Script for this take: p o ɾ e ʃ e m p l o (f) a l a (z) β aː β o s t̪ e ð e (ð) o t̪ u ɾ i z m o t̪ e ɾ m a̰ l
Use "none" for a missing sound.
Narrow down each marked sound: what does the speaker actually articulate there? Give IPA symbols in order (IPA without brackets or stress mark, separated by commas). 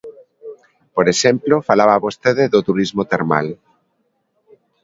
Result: f, none, ð